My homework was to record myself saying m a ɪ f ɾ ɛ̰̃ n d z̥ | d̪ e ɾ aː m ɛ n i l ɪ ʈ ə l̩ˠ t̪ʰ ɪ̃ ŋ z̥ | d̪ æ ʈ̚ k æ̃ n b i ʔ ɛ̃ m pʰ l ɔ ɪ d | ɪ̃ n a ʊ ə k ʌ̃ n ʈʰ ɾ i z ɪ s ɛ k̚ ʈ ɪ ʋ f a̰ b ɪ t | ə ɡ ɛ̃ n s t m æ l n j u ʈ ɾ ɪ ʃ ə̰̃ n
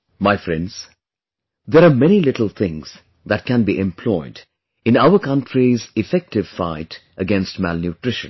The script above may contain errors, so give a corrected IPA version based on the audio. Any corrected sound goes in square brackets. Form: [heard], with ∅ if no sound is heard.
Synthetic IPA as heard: m a ɪ f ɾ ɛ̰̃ n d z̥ | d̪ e ɾ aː m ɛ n i l ɪ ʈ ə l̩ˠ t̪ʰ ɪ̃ ŋ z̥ | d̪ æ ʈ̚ k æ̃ n b i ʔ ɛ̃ m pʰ l ɔ ɪ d | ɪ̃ n a ʊ ə k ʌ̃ n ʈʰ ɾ i z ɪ [f] ɛ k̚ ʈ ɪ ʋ f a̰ [∅] ɪ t | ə ɡ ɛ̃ n s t m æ l n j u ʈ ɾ ɪ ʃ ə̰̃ n